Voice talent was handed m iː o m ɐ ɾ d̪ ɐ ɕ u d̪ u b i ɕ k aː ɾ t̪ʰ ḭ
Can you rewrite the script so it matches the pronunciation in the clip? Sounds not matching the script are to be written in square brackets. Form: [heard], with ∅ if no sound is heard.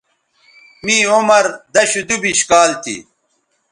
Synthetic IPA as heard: m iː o m ɐ ɾ d̪ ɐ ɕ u d̪ u b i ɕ k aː [l] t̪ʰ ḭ